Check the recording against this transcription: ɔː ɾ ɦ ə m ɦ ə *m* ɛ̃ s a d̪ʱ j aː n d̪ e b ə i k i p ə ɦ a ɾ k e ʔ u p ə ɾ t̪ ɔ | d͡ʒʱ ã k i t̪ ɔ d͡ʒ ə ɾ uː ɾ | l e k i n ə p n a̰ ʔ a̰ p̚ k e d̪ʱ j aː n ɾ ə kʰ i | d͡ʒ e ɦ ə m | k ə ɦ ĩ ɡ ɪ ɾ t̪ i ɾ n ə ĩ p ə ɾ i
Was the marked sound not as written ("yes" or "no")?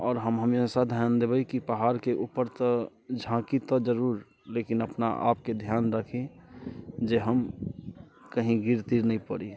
no